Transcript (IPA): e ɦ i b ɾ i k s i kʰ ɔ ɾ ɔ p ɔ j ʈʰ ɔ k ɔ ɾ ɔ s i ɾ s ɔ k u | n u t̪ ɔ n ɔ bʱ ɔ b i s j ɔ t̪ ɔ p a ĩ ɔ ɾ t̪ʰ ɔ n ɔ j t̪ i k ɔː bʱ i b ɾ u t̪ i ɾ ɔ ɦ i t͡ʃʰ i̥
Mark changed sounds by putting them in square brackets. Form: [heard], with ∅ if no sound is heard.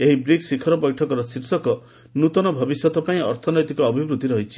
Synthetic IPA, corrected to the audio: e ɦ i b ɾ i k s i kʰ ɔ ɾ ɔ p ɔ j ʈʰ ɔ k ɔ ɾ ɔ s i ɾ s ɔ k [ɔ] | n u t̪ ɔ n ɔ bʱ ɔ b i s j ɔ t̪ ɔ p a ĩ ɔ ɾ t̪ʰ ɔ n ɔ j t̪ i k ɔː bʱ i b ɾ u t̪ i ɾ ɔ ɦ i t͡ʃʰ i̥